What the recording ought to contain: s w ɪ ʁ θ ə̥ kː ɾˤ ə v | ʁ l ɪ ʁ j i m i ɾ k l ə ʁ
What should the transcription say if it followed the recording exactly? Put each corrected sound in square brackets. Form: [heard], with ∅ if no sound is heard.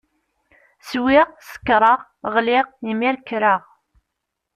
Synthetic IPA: s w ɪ ʁ [s] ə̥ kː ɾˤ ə [ʁ] | ʁ l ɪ ʁ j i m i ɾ k [ɾ] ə ʁ

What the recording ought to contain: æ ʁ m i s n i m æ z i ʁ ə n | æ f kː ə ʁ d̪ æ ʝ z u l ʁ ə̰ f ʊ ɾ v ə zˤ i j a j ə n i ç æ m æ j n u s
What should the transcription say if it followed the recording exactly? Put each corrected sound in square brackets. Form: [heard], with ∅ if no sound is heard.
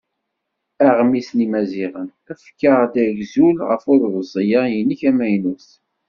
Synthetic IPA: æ ʁ m i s n i m æ z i ʁ ə n | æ f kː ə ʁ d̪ æ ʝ z u l ʁ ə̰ f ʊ ɾ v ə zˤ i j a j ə n i ç æ m æ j n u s

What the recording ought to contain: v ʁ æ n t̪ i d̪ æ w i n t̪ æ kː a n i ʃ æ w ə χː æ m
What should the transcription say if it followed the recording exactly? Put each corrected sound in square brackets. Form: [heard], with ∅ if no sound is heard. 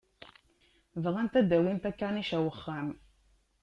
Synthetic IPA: v ʁ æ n t̪ [æ] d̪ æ w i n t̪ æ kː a n i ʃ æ w ə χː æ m

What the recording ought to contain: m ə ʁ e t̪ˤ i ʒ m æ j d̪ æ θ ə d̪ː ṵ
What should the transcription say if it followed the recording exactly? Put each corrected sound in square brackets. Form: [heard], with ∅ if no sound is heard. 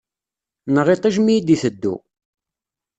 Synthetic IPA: [n] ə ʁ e t̪ˤ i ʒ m [i] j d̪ [i] θ ə d̪ː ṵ

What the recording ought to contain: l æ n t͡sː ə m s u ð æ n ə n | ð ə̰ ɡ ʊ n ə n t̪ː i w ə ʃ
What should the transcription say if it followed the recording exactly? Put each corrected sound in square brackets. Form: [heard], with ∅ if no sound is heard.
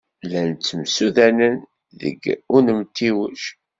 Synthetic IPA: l æ n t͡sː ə m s u ð æ n ə n | ð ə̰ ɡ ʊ n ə [m] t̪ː i w ə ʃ

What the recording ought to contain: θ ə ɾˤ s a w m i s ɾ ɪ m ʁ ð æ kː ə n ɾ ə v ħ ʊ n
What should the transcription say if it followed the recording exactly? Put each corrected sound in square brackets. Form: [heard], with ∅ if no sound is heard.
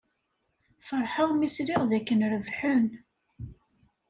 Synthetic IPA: [f] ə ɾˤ [ħ] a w m i s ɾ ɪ [∅] ʁ ð æ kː ə n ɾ ə v ħ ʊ n

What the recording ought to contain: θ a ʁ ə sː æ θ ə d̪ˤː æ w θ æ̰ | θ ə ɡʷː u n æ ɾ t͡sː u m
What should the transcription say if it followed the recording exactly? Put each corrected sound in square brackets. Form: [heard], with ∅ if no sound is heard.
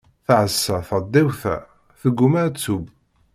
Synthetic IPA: θ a [ʕ] ə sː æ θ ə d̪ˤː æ w θ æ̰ | θ ə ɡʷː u [m] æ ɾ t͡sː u [b]

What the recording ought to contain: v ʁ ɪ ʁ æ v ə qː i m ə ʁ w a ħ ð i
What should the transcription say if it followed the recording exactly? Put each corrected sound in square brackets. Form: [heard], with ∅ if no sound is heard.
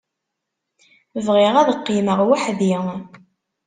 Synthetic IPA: v ʁ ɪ ʁ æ [ð] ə qː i m ə ʁ w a ħ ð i

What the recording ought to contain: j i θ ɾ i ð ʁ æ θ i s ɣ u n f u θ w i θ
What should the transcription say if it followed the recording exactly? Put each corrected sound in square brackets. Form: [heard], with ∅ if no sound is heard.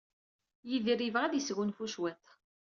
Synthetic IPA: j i [ð] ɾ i [v] ʁ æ [ð] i s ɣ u n f u [ʃ] w [æ] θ

